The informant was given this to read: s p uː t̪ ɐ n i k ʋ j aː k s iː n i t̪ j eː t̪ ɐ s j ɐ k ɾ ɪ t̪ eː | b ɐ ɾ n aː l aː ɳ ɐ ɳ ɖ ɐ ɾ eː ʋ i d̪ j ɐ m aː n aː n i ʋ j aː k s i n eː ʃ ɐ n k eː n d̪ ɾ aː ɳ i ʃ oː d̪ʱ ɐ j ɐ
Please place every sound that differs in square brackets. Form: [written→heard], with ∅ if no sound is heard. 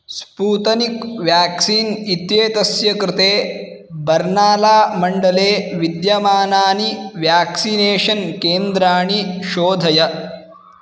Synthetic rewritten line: s p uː t̪ ɐ n i k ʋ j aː k s iː n i t̪ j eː t̪ ɐ s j ɐ k ɾ ɪ t̪ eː | b ɐ ɾ n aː l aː [ɳ→m] ɐ ɳ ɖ ɐ [ɾ→l] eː ʋ i d̪ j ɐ m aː n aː n i ʋ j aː k s i n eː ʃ ɐ n k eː n d̪ ɾ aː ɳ i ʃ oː d̪ʱ ɐ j ɐ